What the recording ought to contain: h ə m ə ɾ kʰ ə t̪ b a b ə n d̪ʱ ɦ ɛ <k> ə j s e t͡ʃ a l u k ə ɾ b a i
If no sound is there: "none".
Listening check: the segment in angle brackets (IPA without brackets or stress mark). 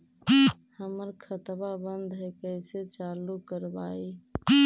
k